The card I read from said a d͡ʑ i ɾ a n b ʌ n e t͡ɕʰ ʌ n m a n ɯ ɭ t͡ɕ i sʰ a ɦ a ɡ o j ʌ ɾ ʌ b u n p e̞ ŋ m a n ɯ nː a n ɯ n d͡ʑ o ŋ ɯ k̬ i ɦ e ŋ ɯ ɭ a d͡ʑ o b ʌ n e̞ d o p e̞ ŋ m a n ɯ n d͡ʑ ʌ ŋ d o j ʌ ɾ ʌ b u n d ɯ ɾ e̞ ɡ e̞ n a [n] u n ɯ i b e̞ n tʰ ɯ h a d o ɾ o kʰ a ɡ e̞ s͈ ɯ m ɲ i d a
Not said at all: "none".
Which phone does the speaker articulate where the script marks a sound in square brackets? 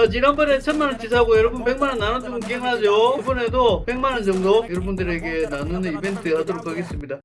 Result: n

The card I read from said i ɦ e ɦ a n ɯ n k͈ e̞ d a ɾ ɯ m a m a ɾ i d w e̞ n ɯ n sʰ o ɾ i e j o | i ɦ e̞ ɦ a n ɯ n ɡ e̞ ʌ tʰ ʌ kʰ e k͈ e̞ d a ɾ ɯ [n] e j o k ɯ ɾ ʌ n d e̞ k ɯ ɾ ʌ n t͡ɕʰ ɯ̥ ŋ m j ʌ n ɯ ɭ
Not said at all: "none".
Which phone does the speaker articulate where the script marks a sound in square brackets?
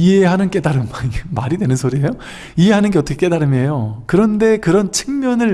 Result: m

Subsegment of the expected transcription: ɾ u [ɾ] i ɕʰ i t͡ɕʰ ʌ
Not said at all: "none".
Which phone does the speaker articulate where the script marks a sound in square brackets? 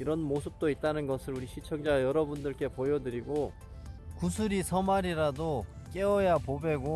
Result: ɾ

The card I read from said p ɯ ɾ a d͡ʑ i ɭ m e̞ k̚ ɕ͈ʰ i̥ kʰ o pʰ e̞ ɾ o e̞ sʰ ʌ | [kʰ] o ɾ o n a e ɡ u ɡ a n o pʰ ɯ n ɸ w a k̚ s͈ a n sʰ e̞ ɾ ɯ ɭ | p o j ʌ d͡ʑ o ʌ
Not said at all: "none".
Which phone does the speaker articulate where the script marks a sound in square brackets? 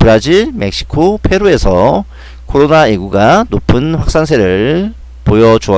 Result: kʰ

